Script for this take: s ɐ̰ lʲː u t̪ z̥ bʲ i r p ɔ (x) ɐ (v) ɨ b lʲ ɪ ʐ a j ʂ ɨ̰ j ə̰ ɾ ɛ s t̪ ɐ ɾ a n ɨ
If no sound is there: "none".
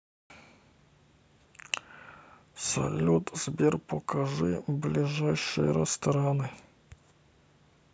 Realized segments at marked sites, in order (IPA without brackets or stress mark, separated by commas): k, ʐ